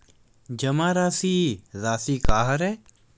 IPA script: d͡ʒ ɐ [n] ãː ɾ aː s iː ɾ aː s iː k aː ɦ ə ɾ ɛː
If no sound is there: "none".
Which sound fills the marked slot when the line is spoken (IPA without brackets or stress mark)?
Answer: m